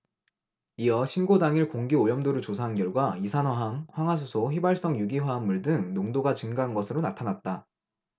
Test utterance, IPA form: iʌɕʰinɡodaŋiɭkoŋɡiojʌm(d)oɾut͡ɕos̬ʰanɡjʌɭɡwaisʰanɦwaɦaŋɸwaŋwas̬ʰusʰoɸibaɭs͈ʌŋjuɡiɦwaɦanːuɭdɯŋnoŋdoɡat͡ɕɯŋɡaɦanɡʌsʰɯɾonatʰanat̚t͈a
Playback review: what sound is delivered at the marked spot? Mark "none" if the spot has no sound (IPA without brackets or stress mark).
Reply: d